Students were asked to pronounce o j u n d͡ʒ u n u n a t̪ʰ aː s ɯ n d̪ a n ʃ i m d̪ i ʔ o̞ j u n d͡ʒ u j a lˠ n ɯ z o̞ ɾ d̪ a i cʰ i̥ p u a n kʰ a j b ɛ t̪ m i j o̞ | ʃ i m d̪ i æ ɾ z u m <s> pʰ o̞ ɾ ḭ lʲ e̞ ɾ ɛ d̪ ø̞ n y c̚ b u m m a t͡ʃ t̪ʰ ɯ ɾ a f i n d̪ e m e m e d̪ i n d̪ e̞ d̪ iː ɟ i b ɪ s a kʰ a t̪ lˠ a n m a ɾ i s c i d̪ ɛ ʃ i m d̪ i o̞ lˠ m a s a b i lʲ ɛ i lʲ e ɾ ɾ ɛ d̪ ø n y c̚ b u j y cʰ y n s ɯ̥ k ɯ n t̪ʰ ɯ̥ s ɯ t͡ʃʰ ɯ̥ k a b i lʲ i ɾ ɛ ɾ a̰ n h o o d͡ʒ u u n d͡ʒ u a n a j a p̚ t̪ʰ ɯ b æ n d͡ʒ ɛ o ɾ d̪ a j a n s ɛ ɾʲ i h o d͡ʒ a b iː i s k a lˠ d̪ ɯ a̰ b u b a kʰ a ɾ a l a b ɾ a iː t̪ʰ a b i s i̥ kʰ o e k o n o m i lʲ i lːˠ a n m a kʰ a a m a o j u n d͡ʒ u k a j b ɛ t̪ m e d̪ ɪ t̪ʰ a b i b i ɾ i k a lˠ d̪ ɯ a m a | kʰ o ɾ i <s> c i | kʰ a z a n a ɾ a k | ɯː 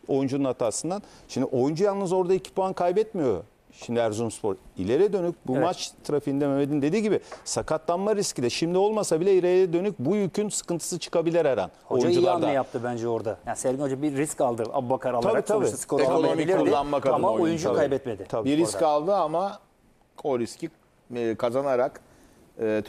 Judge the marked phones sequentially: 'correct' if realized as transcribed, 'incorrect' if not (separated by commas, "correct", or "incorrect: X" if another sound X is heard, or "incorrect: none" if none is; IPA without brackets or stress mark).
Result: correct, correct